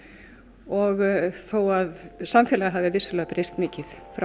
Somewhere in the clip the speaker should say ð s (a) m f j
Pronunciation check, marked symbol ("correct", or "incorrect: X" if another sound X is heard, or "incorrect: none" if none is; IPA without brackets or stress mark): correct